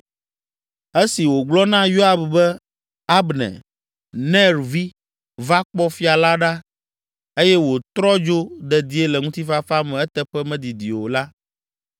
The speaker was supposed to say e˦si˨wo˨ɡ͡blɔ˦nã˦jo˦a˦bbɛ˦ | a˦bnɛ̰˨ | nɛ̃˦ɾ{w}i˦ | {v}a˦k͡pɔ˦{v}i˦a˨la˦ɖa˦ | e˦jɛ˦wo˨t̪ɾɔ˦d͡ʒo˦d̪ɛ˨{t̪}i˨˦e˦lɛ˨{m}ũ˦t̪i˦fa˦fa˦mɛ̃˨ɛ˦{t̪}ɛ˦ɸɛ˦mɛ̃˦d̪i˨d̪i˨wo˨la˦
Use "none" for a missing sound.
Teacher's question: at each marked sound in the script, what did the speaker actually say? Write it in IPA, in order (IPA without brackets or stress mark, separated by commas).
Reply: v, v, f, d̪, ŋ, t̪